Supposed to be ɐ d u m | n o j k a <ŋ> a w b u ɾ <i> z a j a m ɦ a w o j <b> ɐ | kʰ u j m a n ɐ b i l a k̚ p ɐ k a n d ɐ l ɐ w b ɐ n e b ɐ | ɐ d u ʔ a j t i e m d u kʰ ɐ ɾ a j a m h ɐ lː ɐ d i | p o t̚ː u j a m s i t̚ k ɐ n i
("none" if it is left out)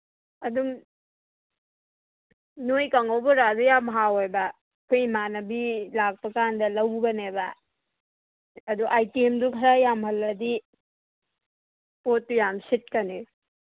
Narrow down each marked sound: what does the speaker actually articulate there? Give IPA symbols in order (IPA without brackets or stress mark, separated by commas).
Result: ŋ, a, b